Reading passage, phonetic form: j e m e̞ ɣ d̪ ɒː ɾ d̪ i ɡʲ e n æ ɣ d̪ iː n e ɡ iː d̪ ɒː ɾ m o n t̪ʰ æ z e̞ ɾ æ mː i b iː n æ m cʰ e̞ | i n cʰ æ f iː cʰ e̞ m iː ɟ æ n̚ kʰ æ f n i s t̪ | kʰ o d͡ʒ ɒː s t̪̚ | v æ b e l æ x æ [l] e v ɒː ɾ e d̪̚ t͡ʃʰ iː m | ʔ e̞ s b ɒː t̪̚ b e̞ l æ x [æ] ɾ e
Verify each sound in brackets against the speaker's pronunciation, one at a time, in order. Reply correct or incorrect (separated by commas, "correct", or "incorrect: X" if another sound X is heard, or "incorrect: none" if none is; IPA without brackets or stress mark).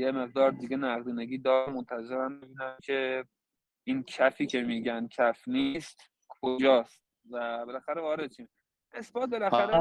incorrect: ɾ, correct